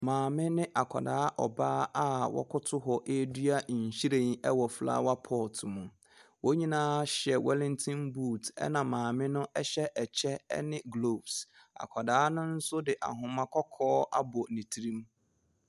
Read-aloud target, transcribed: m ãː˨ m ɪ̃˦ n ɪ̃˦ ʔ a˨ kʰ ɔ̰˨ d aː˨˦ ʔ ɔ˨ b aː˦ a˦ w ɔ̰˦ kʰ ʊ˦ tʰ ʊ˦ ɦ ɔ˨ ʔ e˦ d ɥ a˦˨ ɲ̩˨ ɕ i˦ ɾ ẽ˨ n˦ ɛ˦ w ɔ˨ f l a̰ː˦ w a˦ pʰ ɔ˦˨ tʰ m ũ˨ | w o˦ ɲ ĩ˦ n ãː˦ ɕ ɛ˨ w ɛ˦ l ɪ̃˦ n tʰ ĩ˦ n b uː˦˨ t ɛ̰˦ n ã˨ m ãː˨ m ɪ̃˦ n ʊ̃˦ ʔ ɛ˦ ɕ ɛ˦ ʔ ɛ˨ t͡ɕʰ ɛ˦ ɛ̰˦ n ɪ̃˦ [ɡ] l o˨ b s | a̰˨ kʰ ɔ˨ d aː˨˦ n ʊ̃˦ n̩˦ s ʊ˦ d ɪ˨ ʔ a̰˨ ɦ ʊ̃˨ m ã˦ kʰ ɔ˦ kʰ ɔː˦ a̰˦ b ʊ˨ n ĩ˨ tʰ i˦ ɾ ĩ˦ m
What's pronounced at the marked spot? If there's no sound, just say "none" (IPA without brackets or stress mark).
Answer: ɡ